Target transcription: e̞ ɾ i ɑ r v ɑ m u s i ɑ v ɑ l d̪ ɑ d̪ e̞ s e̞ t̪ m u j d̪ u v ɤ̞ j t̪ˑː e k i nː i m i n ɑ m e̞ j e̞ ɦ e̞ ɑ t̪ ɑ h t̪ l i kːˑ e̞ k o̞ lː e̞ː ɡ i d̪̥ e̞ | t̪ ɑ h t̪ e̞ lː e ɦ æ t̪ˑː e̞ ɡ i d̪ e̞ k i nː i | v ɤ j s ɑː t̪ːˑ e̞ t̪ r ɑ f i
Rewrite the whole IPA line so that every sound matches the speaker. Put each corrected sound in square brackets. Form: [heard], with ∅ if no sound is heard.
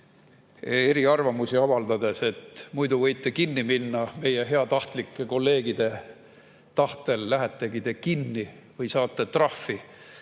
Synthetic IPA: e̞ ɾ i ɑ r v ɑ m u s i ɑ v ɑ l d̪ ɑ d̪ e̞ s e̞ t̪ m u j d̪ u v ɤ̞ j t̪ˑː e k i nː i m i [nː] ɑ m e̞ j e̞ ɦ e̞ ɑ t̪ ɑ h t̪ l i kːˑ e̞ k o̞ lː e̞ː ɡ i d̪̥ e̞ | t̪ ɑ h t̪ e̞ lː [æ] ɦ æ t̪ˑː e̞ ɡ i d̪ e̞ k i nː i | v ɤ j s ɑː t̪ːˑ e̞ t̪ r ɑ f i